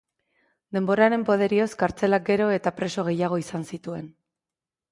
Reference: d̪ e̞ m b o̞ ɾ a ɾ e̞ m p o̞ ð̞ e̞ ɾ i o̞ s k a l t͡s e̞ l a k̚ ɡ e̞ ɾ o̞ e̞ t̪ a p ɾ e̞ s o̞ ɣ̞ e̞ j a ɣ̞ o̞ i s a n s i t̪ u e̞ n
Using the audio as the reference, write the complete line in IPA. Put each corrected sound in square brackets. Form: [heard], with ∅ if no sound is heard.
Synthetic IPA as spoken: d̪ e̞ m b o̞ ɾ a ɾ e̞ m p o̞ ð̞ e̞ ɾ i o̞ s k a [ɾ] t͡s e̞ l a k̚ ɡ e̞ ɾ o̞ e̞ t̪ a p ɾ e̞ s o̞ ɣ̞ e̞ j a ɣ̞ o̞ i s a n s i t̪ u e̞ n